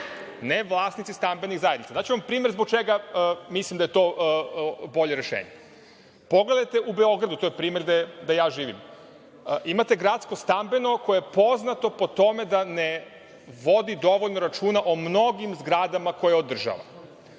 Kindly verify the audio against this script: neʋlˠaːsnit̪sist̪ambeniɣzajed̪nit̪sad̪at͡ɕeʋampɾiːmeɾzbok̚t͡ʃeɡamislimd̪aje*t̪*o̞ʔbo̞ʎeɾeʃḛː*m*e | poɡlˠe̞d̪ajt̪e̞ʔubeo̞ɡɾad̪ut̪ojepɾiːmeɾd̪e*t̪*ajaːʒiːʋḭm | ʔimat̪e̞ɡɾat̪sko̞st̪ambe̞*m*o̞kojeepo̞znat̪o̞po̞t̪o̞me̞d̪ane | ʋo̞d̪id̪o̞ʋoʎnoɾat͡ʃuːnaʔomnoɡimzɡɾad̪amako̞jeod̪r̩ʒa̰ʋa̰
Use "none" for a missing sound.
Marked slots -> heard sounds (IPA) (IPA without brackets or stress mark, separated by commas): t̪, ɲ, d̪, n